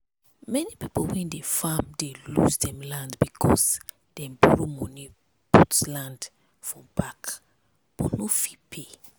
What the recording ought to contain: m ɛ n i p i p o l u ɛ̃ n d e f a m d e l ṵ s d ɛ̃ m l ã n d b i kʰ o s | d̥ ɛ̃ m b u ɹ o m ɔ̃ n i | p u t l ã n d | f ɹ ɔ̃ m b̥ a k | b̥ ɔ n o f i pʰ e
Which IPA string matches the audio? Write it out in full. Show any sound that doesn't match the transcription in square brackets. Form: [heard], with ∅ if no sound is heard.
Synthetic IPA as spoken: m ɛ n i p i p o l [w] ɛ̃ n d e f a m d e l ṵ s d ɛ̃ m l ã n d b i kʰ [ɔ] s | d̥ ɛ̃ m b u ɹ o m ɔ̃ n i | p u t l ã n d | f ɹ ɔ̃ m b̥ a k | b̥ ɔ n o f i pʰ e

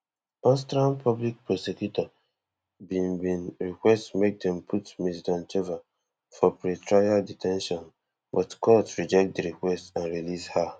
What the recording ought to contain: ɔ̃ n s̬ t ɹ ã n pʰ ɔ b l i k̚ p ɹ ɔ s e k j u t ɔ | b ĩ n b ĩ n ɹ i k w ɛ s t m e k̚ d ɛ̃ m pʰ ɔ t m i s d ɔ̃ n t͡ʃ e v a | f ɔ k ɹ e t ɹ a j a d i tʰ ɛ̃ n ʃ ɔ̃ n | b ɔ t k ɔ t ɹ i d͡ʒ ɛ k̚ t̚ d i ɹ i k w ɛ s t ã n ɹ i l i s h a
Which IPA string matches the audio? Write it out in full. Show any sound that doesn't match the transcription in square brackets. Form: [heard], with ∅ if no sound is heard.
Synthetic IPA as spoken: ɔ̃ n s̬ t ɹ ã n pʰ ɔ b l i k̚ p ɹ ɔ s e k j u t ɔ | b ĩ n b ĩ n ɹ i k w ɛ s t m e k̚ d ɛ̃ m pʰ [u] t m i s d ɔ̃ n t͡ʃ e v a | f ɔ [p] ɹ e t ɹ a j a d i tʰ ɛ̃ n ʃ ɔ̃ n | b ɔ t k ɔ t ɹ i d͡ʒ ɛ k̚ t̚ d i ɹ i k w ɛ s t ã n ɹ i l i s h a

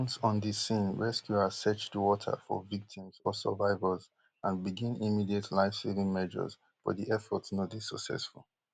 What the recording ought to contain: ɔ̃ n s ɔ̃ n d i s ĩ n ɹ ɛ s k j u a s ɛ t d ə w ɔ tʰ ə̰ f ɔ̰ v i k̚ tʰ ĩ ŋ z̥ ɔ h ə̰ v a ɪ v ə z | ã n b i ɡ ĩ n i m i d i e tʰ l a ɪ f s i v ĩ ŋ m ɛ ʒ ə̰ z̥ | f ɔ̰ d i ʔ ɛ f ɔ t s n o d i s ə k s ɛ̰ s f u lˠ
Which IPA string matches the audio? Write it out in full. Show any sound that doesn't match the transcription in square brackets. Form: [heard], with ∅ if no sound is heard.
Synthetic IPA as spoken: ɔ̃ n s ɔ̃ n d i s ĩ n ɹ ɛ s k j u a s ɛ [t͡ʃ] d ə w ɔ tʰ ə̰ f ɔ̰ v i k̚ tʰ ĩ [m] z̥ ɔ [s] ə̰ v a ɪ v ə z | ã n b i ɡ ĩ n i m i d i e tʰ l a ɪ f s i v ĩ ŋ m ɛ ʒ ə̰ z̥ | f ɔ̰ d i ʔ ɛ f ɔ t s n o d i s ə k s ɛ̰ s f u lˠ

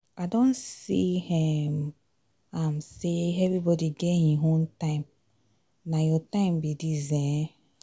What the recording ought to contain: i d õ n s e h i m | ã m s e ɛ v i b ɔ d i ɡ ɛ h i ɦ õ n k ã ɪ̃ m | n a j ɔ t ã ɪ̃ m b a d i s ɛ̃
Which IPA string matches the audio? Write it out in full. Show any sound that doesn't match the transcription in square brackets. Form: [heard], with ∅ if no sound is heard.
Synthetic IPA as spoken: [a] d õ n s [i] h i m | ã m s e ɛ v i b ɔ d i ɡ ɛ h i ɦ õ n [t] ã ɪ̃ m | n a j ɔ t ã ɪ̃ m b [i] d i [z] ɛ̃

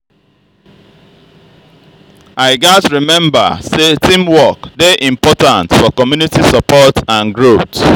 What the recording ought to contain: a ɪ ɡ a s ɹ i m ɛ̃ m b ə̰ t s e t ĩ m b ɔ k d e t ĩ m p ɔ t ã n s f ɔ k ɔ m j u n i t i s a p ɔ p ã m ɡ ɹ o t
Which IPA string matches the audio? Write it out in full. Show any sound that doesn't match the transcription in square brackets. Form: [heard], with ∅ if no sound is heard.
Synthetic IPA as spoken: a ɪ ɡ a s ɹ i m ɛ̃ m b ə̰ [∅] s e t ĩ m [w] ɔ k d e [ʔ] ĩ m p ɔ t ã n [t] f ɔ k ɔ m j u n i t i s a p ɔ [t] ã [n] ɡ ɹ o t

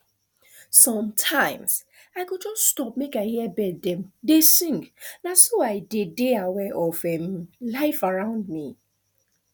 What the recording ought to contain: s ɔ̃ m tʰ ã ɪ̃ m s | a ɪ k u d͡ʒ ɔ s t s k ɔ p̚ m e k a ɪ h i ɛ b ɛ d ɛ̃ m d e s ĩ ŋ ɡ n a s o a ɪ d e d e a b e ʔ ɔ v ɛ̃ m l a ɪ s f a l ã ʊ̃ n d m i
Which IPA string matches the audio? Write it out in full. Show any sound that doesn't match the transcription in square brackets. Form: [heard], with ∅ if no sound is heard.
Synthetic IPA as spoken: s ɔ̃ m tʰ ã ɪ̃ m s | a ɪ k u d͡ʒ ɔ s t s [t] ɔ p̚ m e k a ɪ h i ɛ b ɛ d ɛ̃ m d e s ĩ ŋ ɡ n a s o a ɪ d e d e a [w] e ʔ ɔ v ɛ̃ m l a ɪ [∅] f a [ɹ] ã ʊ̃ n d m i

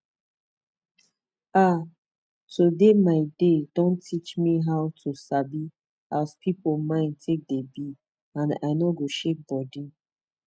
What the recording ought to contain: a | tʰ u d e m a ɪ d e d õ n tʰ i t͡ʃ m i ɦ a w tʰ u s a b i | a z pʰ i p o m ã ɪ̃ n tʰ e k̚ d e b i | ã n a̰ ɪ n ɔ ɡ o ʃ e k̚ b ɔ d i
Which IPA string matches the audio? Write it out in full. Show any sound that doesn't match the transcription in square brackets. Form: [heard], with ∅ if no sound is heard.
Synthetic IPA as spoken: a | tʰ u d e m a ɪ d e d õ n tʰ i t͡ʃ m i ɦ a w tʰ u s a b i | a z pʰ i p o m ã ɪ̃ n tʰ e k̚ d e b i | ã n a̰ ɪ n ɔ ɡ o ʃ e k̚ b ɔ d i

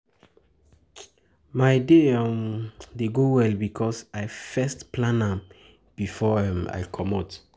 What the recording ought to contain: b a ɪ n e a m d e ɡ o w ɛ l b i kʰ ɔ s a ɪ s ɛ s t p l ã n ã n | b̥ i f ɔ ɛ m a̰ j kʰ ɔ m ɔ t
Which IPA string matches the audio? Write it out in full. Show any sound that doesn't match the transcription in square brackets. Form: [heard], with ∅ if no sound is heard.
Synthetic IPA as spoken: [m] a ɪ [d] e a m d e ɡ o w ɛ l b i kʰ ɔ s a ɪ [f] ɛ s t p l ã n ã [m] | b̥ i f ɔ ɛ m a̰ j kʰ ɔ m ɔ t

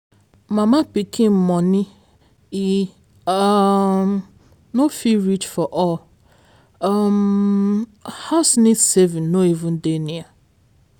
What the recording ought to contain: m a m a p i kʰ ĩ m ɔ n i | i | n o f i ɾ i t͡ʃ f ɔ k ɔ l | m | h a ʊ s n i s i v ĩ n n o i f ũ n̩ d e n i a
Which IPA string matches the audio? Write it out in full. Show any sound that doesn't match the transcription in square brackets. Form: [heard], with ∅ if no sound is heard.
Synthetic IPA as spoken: m a m a p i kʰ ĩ m ɔ n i | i | n o f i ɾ i t͡ʃ f ɔ [ʔ] ɔ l | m | h a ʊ s n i s [e] v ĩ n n o i [v] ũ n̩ d e n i a

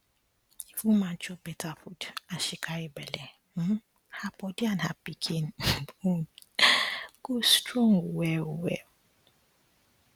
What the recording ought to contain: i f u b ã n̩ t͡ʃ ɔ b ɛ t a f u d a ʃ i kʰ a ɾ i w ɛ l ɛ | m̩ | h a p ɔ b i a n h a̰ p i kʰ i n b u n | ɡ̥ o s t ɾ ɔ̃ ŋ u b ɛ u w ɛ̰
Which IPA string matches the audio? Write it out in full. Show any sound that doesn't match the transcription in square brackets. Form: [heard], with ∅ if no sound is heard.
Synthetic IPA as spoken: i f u [m] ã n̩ t͡ʃ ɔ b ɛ t a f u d a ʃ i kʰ a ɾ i [b] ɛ l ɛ | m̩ | h a p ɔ [d] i a n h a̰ p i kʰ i n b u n | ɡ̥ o s t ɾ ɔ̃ ŋ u [w] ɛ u w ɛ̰

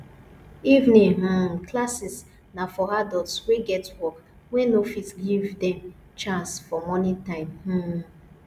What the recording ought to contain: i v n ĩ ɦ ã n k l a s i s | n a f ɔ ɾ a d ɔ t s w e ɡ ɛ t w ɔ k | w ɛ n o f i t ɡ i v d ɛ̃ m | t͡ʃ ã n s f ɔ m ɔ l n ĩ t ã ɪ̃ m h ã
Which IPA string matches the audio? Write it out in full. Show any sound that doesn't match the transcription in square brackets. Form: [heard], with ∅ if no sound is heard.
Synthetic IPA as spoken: i v n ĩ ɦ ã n k l a s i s | n a f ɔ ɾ a d ɔ t s w e ɡ ɛ t w ɔ k | w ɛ n o f i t ɡ i v d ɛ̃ m | t͡ʃ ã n s f ɔ m ɔ [∅] n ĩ t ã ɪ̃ m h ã

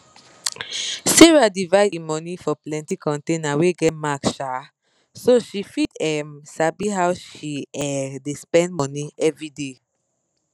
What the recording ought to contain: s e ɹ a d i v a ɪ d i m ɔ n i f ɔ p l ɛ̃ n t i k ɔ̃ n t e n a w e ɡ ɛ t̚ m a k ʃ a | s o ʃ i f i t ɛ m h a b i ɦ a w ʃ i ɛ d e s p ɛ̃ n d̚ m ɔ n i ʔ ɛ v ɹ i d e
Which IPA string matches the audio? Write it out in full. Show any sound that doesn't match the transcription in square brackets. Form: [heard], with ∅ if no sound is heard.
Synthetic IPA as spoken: s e ɹ a d i v a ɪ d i m ɔ n i f ɔ p l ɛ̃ n t i k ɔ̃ n t e n a w e ɡ ɛ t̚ m a k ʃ a | s o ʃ i f i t ɛ m [s] a b i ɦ a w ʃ i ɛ d e s p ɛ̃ n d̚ m ɔ n i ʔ ɛ v ɹ i d e

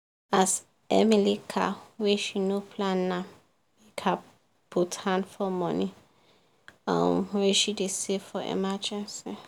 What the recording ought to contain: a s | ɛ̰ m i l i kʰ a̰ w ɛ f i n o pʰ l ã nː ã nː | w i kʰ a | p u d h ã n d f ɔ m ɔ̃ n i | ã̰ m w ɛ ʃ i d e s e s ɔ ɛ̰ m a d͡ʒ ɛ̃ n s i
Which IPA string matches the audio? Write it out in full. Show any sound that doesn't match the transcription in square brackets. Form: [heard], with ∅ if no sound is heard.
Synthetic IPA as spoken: a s | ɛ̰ m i l i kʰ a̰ w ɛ [ʃ] i n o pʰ l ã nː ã [∅] | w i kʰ a | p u [t] h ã n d f ɔ m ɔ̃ n i | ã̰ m w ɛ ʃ i d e s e [f] ɔ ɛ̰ m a d͡ʒ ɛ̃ n s i

